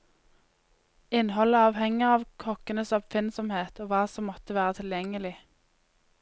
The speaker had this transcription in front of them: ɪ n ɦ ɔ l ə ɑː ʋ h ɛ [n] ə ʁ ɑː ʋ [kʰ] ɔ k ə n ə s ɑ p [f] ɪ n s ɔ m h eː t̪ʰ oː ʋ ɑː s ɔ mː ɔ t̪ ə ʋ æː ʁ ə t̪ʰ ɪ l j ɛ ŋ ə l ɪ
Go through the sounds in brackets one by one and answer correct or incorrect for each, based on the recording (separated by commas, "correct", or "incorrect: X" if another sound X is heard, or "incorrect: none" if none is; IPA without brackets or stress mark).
incorrect: ŋ, correct, correct